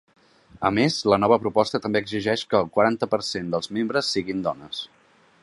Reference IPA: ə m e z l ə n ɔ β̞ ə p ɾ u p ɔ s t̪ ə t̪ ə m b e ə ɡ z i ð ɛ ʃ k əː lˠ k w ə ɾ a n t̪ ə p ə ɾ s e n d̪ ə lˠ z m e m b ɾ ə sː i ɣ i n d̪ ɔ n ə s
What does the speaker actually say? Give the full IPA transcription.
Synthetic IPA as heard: ə m e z l ə n ɔ β̞ ə p ɾ u p ɔ s t̪ ə t̪ ə m b e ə ɡ z i ʒ ɛ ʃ k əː lˠ k w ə ɾ a n t̪ ə p ə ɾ s e n d̪ ə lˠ z m e m b ɾ ə sː i ɣ i n d̪ ɔ n ə s